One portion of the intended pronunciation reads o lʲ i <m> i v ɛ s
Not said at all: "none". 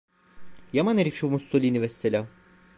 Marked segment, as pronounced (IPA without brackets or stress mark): n